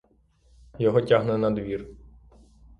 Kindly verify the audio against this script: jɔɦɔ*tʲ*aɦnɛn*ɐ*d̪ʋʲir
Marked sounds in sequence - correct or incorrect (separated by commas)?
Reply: correct, correct